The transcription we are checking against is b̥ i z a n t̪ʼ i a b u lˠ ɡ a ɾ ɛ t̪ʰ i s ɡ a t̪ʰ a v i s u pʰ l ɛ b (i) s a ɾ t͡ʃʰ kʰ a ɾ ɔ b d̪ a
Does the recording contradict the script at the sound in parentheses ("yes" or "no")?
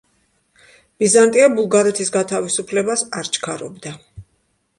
yes